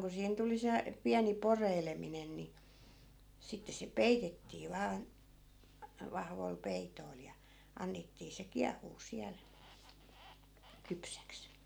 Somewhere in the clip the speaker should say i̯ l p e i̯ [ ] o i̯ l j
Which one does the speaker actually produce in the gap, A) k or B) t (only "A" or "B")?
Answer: B